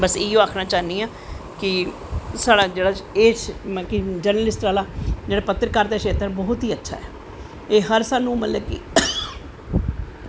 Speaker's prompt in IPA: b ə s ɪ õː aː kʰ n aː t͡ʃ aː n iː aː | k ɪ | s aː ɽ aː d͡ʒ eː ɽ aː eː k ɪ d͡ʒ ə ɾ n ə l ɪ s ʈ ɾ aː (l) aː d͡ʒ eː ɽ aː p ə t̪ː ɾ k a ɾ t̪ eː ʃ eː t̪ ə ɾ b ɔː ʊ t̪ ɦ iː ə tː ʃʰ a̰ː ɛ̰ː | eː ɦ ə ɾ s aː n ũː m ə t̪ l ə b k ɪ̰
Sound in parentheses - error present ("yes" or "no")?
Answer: no